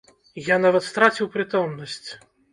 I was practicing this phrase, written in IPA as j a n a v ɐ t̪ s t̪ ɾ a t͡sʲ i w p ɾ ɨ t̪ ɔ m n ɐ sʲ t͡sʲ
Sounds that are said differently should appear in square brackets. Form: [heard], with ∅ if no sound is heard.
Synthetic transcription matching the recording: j a n a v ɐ t̪ s t̪ ɾ a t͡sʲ i w p ɾ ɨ t̪ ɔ m n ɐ sʲ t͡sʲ